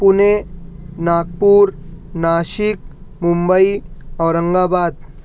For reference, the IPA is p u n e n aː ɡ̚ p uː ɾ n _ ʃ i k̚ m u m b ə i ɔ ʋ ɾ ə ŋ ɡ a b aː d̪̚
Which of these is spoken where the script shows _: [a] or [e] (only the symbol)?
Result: a